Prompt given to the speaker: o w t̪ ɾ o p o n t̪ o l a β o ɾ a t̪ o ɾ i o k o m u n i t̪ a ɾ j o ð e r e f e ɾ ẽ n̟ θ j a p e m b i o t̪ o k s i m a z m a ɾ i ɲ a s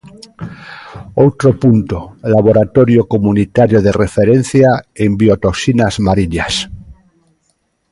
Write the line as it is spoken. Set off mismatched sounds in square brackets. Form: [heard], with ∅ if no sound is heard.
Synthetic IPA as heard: o w t̪ ɾ o p [u] n t̪ o l a β o ɾ a t̪ o ɾ [j] o k o m u n i t̪ a ɾ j o ð e r e f e ɾ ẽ n̟ θ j a [∅] e m b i o t̪ o k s i [n] a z m a ɾ i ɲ a s